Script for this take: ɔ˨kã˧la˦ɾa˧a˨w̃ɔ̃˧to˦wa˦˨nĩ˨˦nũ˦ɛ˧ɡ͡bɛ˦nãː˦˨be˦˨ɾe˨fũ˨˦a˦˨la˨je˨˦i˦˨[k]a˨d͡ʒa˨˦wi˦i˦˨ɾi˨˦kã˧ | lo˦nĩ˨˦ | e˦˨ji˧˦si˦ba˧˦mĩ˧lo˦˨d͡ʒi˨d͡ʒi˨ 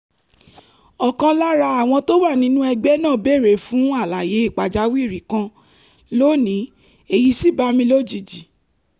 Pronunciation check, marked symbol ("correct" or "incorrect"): incorrect